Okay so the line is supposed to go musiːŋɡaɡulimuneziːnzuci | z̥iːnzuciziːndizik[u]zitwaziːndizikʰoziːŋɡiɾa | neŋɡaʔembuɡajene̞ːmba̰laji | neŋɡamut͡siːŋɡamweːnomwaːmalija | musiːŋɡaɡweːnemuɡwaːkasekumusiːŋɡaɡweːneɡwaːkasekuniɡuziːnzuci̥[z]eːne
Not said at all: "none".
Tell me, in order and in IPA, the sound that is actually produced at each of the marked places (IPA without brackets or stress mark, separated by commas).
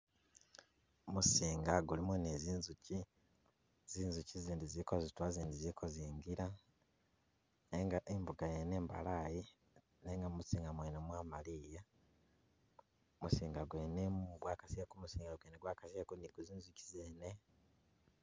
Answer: o, z